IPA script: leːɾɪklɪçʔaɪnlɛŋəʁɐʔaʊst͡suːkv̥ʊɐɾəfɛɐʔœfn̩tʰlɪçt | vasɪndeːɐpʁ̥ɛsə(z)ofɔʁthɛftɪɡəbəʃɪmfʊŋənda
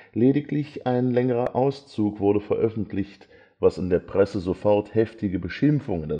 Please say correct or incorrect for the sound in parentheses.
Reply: correct